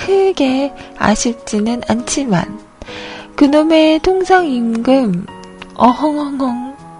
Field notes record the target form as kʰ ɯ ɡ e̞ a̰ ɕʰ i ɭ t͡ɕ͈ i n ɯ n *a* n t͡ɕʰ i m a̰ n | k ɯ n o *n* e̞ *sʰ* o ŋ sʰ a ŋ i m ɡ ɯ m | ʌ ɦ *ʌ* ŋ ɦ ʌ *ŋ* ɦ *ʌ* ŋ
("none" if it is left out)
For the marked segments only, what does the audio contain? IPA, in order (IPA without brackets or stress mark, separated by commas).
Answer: a, m, tʰ, ʌ, ŋ, ʌ